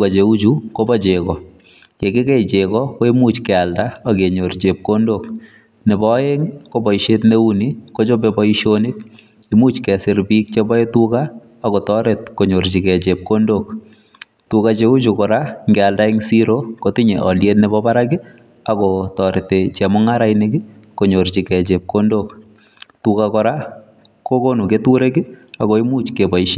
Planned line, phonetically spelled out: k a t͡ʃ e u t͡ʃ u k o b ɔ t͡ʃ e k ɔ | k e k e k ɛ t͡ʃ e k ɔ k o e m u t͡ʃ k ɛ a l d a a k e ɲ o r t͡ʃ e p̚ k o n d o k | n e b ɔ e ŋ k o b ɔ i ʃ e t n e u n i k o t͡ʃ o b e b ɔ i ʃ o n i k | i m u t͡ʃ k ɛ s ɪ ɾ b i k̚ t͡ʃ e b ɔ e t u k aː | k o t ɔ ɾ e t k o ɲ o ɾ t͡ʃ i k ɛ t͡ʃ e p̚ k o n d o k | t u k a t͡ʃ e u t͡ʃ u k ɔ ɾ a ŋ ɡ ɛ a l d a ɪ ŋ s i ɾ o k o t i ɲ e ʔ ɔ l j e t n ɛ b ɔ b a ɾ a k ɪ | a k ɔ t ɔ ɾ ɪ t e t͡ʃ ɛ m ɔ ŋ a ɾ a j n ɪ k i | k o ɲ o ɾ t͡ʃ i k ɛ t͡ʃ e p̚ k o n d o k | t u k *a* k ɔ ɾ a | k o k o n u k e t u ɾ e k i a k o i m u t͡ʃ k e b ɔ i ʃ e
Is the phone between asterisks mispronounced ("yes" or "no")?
no